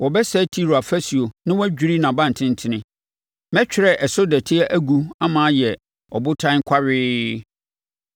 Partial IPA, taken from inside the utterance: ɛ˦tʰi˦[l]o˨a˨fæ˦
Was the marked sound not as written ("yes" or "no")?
yes